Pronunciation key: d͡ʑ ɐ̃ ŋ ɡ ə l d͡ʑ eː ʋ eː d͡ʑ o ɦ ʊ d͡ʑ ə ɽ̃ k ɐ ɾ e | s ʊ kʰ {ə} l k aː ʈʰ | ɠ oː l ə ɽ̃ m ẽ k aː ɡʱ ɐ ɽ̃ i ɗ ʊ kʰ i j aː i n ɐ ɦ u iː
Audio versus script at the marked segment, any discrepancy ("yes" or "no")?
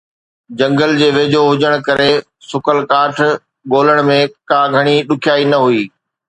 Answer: no